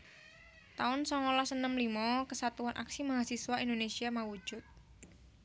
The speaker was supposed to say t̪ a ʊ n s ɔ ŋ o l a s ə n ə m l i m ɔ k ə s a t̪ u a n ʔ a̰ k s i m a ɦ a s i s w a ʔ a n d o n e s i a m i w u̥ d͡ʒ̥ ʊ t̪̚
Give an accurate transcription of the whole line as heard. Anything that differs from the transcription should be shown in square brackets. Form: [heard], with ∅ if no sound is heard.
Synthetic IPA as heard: t̪ a ʊ n s ɔ ŋ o l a s ə n ə m l i m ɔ k ə s a t̪ u a n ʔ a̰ k s i m a ɦ a s i s w a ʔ [i] n d o n e s i a m [a] w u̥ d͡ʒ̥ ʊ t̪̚